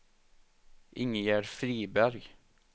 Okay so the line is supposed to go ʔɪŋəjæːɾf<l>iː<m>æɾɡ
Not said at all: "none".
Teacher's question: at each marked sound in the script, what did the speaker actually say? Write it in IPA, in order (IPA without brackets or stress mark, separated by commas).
ɾ, b